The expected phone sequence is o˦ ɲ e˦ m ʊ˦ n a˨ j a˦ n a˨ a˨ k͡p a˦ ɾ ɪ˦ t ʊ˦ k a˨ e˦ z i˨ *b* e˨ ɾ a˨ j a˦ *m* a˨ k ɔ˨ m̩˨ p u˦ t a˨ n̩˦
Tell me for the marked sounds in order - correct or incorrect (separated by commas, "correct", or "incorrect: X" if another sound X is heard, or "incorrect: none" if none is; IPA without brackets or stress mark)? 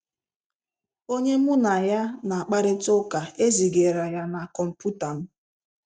incorrect: ɡ, incorrect: n